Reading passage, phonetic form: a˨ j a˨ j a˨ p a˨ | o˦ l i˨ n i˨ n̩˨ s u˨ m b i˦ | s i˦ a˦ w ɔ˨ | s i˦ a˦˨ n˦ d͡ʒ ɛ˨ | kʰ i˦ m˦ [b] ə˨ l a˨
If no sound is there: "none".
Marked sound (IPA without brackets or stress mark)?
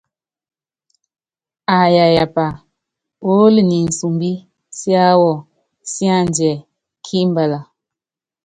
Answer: b